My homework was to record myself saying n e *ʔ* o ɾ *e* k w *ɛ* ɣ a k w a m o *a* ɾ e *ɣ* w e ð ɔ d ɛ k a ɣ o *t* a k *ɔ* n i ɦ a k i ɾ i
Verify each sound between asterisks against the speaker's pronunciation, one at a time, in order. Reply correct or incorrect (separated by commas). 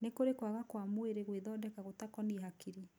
incorrect, correct, incorrect, incorrect, correct, correct, correct